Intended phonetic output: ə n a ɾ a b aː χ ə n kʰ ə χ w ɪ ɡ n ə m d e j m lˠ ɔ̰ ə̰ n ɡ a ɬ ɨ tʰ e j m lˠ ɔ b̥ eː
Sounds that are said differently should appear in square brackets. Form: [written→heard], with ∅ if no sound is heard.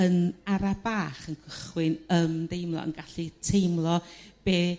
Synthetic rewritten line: ə n a ɾ a b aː χ ə n kʰ ə χ w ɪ [ɡ→∅] n ə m d e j m lˠ ɔ̰ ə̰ n ɡ a ɬ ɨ tʰ e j m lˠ ɔ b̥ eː